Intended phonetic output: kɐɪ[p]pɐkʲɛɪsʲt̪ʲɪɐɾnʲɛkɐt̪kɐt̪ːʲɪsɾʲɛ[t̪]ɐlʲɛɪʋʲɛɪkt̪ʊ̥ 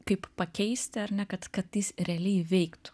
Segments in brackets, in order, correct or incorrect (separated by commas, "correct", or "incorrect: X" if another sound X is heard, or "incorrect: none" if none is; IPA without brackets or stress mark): correct, incorrect: none